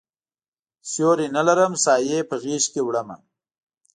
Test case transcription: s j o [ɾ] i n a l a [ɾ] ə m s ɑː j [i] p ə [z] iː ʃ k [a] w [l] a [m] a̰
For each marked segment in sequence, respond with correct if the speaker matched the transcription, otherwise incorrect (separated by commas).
correct, correct, incorrect, incorrect, incorrect, incorrect, correct